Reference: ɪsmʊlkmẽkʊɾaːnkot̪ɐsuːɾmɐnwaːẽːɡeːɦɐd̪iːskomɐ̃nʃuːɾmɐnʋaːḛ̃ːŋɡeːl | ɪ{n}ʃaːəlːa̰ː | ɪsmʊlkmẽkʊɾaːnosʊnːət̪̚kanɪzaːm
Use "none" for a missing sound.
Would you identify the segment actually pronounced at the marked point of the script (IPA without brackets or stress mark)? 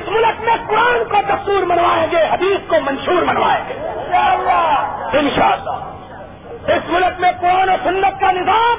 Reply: n